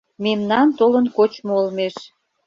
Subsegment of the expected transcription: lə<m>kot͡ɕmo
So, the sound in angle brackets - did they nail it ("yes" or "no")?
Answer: no